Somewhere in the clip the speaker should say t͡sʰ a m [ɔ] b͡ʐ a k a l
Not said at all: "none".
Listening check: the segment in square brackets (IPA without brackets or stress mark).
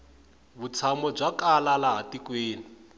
ɔ